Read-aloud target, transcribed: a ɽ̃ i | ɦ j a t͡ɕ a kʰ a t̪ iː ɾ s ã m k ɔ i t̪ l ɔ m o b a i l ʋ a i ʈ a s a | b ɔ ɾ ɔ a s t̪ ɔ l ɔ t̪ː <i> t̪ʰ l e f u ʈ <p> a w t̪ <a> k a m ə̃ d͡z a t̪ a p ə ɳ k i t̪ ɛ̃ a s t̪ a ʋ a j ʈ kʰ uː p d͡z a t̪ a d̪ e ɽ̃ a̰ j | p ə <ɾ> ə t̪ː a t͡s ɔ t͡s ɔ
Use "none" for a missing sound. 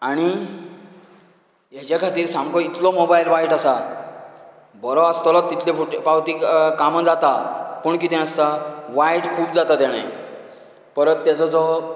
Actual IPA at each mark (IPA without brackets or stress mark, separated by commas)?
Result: i, p, i, ɾ